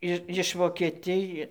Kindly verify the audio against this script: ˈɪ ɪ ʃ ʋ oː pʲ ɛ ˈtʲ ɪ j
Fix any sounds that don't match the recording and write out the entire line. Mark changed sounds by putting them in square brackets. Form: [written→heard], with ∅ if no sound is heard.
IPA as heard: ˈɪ ɪ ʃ ʋ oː [pʲ→kʲ] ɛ ˈtʲ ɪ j